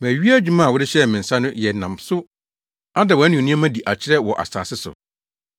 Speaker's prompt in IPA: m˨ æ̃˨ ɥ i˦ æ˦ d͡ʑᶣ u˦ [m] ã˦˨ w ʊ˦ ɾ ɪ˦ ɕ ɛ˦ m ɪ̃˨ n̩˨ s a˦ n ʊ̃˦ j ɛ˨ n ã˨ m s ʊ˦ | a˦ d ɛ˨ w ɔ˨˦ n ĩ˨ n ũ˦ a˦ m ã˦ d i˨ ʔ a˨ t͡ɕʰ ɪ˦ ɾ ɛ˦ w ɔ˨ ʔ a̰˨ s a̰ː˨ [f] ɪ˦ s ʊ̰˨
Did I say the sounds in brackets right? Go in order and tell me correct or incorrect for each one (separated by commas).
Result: correct, incorrect